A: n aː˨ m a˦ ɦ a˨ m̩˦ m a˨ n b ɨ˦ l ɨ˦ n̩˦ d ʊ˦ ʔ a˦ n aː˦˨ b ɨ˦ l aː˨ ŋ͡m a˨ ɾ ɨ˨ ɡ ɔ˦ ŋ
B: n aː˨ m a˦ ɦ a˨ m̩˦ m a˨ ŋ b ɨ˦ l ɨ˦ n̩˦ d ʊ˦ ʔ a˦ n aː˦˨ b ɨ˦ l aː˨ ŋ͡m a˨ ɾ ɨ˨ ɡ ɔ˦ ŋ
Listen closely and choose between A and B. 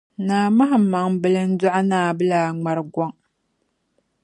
B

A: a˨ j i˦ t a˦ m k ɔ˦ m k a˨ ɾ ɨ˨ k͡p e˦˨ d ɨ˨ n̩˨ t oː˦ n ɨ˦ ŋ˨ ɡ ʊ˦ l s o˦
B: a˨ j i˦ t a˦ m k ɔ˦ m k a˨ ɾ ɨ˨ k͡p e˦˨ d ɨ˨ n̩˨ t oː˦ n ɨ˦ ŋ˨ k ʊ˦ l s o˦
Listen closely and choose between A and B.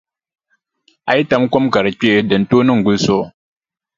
A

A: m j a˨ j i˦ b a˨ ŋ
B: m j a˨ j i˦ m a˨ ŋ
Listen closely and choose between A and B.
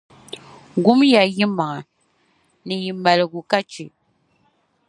B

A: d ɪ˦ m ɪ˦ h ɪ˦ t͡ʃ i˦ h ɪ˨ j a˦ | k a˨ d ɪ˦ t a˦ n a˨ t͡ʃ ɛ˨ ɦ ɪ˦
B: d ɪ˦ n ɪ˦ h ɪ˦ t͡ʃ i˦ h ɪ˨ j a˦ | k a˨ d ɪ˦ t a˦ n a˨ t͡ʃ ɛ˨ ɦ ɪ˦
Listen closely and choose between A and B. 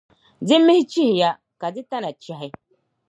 A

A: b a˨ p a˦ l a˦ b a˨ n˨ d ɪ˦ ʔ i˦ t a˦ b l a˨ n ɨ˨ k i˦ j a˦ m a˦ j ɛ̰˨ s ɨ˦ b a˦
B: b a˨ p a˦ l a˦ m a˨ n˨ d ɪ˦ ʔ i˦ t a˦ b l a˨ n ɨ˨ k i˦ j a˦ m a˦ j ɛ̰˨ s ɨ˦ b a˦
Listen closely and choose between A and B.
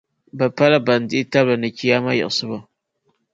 A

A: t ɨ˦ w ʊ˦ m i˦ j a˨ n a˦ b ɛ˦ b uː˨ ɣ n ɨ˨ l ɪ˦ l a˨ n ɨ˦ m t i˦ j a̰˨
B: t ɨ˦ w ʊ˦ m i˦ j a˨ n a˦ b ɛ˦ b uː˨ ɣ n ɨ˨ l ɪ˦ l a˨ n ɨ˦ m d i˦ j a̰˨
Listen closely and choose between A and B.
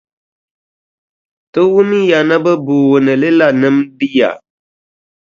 B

